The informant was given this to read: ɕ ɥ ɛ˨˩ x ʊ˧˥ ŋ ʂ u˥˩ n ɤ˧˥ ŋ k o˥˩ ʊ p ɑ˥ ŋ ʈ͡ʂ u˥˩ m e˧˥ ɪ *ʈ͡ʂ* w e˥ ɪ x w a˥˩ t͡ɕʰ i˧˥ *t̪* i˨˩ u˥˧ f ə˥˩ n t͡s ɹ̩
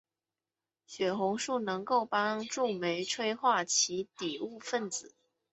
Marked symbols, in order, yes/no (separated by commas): no, yes